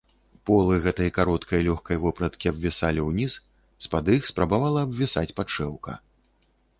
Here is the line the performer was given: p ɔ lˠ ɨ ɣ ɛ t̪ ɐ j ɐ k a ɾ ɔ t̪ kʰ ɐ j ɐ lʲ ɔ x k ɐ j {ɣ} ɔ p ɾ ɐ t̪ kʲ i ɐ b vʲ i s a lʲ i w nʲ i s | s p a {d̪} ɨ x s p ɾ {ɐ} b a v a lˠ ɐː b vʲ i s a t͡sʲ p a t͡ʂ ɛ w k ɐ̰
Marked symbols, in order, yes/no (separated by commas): no, yes, no